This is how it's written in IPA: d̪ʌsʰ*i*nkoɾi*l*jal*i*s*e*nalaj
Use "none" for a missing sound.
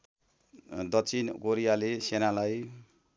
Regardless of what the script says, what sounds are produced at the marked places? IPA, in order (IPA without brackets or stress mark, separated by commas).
i, none, e, e